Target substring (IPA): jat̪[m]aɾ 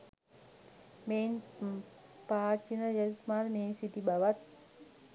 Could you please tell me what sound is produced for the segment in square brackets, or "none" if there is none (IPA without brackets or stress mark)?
m